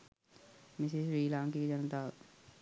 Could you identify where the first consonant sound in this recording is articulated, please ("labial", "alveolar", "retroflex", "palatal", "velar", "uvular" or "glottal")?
labial